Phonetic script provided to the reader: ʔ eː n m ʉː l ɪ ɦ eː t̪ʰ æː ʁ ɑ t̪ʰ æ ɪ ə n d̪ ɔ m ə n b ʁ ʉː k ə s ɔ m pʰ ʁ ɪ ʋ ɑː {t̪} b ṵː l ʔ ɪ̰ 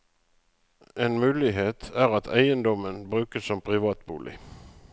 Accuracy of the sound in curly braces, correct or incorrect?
correct